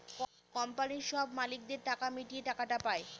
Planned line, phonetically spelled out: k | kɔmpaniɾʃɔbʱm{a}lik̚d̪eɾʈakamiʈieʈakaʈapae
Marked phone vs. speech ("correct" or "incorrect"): correct